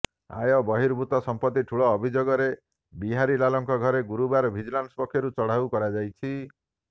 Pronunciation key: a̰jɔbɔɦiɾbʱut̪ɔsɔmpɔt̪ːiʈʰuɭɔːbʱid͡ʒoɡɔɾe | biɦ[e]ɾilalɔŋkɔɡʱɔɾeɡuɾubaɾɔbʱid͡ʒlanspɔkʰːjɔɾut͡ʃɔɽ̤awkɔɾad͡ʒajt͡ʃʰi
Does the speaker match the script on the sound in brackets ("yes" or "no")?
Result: no